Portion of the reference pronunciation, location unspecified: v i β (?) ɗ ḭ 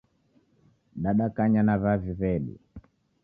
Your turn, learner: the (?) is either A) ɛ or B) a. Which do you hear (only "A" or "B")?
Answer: A